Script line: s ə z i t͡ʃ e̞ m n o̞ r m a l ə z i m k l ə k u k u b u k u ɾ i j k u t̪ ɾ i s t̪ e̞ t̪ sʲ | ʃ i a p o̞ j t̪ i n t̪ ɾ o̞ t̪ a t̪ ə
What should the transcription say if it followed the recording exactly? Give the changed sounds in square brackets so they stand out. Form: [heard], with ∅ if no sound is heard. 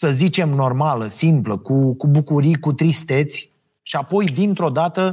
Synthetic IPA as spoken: s ə z i t͡ʃ e̞ m n o̞ r m a l ə [s] i m [p] l ə k u k u b u k u ɾ i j k u t̪ ɾ i s t̪ e̞ t̪ sʲ | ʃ i a p o̞ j [d̪] i n t̪ ɾ o̞ [d̪] a t̪ ə